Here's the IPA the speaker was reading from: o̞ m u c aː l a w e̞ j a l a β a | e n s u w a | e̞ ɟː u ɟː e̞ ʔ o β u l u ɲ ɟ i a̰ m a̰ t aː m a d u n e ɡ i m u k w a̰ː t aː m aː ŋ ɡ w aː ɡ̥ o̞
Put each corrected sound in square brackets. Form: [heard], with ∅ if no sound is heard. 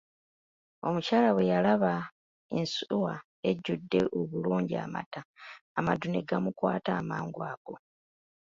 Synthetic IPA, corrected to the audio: o̞ m u c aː l a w e̞ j a l a β a | e n s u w a | e̞ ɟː u [dː] e̞ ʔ o β u l [uː] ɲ ɟ i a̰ m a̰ t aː m a d u n e ɡ [a] m u k w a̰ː t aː m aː ŋ ɡ w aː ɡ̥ o̞